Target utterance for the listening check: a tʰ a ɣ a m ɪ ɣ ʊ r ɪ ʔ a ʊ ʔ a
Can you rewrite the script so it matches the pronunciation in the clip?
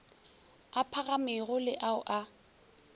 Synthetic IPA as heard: a pʰ a ɣ a m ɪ ɣ ʊ l ɪ ʔ a ʊ ʔ a